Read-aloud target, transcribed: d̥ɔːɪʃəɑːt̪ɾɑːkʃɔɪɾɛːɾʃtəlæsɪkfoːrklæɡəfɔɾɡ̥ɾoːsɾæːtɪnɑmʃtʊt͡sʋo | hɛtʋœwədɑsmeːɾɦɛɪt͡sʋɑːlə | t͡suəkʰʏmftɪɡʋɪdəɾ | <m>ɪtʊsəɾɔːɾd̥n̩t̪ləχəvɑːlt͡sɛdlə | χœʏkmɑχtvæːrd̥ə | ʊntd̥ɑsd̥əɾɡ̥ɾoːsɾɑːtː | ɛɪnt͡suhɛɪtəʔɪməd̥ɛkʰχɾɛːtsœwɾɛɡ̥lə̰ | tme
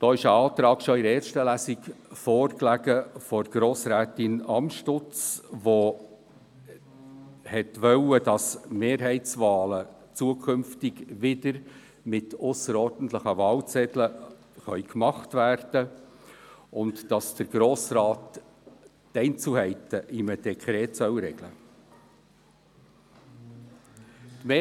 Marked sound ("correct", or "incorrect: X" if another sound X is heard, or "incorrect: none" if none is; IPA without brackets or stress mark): correct